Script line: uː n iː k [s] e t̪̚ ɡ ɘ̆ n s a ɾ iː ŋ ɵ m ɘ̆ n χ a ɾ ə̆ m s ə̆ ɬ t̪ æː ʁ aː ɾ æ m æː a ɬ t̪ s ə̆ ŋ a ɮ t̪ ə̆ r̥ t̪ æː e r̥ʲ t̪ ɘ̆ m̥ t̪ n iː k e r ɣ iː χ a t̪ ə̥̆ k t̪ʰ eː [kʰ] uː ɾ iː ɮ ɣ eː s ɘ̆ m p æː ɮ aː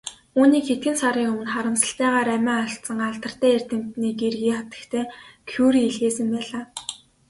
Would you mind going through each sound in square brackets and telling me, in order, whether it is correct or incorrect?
incorrect, correct

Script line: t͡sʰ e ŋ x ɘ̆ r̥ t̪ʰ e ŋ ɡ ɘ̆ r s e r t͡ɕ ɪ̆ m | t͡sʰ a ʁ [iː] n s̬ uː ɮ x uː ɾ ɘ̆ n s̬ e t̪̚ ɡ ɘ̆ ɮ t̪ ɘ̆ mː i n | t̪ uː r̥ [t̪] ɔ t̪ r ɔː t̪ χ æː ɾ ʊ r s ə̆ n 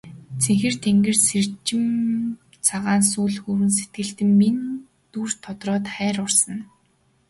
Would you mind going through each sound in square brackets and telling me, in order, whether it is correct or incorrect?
incorrect, incorrect

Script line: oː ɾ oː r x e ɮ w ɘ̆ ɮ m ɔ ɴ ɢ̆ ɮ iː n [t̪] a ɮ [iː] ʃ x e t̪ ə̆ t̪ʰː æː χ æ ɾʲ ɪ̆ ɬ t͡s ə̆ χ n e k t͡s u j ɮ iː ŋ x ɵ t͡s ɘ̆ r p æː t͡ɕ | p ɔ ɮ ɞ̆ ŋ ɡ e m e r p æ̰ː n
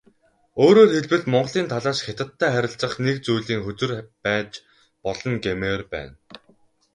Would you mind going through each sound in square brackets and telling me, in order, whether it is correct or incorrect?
incorrect, incorrect

